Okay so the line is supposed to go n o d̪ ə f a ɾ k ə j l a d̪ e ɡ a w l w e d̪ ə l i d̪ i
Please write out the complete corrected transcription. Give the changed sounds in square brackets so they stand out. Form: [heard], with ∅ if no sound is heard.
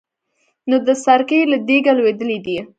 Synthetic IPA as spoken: n o d̪ ə [s] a ɾ k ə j l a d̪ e ɡ a [∅] l w e d̪ ə l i d̪ i